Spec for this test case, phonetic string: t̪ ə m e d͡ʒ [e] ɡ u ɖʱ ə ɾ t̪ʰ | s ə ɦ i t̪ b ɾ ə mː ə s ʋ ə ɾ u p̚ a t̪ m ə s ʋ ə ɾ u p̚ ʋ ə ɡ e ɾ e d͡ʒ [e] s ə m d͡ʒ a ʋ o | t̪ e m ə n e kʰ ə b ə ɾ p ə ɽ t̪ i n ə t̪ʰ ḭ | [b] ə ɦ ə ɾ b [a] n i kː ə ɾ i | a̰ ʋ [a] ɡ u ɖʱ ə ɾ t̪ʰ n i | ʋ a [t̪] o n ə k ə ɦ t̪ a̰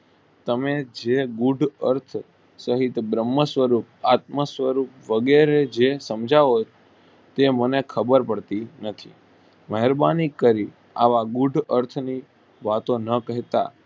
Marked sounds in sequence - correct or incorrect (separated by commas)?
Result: correct, correct, incorrect, correct, correct, correct